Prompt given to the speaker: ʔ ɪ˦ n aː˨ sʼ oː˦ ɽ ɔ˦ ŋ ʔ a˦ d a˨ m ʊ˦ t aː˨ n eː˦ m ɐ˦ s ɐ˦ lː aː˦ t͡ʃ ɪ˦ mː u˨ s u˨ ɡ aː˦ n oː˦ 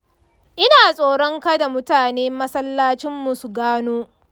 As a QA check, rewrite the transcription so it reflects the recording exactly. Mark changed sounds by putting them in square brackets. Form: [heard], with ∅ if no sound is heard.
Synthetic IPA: ʔ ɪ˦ n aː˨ sʼ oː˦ ɽ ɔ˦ ŋ [k] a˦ d a˨ m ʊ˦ t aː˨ n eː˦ m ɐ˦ s ɐ˦ lː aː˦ t͡ʃ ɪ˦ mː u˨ s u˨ ɡ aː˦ n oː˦